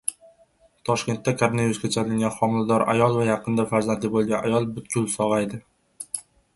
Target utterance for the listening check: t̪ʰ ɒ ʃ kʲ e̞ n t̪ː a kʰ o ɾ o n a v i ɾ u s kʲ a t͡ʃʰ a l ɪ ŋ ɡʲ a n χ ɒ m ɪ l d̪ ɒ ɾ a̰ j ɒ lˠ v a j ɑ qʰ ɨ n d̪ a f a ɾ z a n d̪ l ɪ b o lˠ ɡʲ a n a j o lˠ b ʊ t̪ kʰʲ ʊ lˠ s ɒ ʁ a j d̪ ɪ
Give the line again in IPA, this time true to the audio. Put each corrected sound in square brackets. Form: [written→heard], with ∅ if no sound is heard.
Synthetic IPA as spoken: t̪ʰ ɒ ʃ kʲ e̞ n t̪ː a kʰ o ɾ o n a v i ɾ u s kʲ a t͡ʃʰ a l ɪ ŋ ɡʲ a n χ ɒ m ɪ l d̪ ɒ ɾ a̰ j ɒ lˠ v a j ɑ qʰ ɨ n d̪ a f a ɾ z a n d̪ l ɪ b o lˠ ɡʲ a n a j [o→ɒ] lˠ b ʊ t̪ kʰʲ ʊ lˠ s ɒ ʁ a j d̪ ɪ

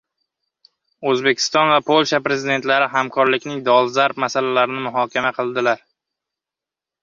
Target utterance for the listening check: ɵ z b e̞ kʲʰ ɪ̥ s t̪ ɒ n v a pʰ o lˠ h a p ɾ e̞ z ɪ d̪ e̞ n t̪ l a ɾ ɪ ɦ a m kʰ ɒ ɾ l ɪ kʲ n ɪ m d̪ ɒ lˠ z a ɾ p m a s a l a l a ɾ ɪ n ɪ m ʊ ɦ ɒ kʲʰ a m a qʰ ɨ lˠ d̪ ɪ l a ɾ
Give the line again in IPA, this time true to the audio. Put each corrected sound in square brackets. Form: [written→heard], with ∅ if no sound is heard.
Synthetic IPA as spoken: ɵ z b e̞ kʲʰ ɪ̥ s t̪ ɒ n v a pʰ o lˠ [h→ʃ] a p ɾ e̞ z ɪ d̪ e̞ n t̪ l a ɾ ɪ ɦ a m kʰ ɒ ɾ l ɪ kʲ n ɪ [m→ŋ] d̪ ɒ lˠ z a ɾ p m a s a l a l a ɾ ɪ n ɪ m ʊ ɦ ɒ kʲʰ a m a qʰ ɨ lˠ d̪ ɪ l a ɾ

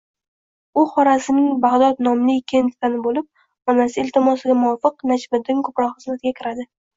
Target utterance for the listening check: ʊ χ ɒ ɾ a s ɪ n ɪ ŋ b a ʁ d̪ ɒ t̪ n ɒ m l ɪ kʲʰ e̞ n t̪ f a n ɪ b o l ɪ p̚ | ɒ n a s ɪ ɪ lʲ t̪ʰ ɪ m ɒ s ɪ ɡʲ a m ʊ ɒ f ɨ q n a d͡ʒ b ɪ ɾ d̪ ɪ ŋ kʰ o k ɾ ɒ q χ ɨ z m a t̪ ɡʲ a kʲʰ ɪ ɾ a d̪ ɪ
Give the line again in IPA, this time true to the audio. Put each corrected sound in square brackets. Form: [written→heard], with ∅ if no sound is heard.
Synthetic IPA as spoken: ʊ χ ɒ ɾ a s ɪ n ɪ ŋ b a ʁ d̪ ɒ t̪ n ɒ m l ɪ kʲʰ e̞ n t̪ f a n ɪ b o l ɪ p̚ | ɒ n a s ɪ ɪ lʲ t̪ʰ ɪ m ɒ s ɪ ɡʲ a m ʊ ɒ f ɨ q n a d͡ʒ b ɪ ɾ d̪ ɪ ŋ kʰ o [k→p] ɾ ɒ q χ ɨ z m a t̪ ɡʲ a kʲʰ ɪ ɾ a d̪ ɪ

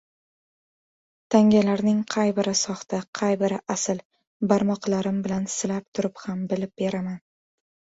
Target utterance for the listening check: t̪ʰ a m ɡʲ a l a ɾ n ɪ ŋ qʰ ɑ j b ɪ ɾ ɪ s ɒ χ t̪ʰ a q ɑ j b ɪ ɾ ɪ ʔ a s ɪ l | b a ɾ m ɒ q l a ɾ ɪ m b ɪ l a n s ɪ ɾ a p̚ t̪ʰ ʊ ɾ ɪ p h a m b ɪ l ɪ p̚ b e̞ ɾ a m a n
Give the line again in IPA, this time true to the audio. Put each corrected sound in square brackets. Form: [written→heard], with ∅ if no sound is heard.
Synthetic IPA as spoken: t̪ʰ a [m→ŋ] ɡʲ a l a ɾ n ɪ ŋ qʰ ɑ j b ɪ ɾ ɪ s ɒ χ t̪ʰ a [q→qʰ] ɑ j b ɪ ɾ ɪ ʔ a s ɪ l | b a ɾ m ɒ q l a ɾ ɪ m b ɪ l a n s ɪ [ɾ→l] a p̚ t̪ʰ ʊ ɾ ɪ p h a m b ɪ l ɪ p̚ b e̞ ɾ a m a n

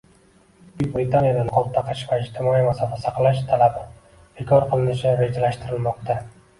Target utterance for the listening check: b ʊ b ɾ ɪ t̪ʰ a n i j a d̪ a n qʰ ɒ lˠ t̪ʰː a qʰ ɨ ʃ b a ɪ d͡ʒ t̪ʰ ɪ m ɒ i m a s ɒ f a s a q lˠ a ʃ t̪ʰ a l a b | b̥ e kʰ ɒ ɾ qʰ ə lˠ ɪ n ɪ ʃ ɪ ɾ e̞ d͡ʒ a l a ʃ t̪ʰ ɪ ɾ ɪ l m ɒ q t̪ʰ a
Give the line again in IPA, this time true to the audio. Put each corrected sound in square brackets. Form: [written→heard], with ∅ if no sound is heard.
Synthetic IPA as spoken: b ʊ b ɾ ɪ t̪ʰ a n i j a d̪ a n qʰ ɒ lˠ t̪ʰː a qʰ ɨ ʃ [b→v] a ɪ d͡ʒ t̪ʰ ɪ m ɒ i m a s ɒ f a s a q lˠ a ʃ t̪ʰ a l a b | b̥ e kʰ ɒ ɾ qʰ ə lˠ ɪ n ɪ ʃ ɪ ɾ e̞ d͡ʒ a l a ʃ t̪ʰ ɪ ɾ ɪ l m ɒ q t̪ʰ a

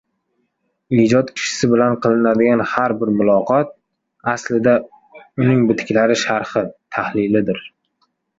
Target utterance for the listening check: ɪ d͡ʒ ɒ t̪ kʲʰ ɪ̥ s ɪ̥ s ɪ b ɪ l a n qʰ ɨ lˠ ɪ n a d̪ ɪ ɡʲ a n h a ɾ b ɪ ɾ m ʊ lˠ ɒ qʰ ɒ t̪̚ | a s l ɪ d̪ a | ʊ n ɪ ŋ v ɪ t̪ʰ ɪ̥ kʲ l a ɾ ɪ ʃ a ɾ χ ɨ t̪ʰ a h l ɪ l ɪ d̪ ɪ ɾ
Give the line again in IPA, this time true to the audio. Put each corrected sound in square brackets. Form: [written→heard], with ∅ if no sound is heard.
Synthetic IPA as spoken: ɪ d͡ʒ ɒ t̪ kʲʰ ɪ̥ [s→ʃ] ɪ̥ s ɪ b ɪ l a n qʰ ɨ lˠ ɪ n a d̪ ɪ ɡʲ a n h a ɾ b ɪ ɾ m ʊ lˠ ɒ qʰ ɒ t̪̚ | a s l ɪ d̪ a | ʊ n ɪ ŋ [v→b] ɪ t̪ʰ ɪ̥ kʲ l a ɾ ɪ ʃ a ɾ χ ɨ t̪ʰ a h l ɪ l ɪ d̪ ɪ ɾ

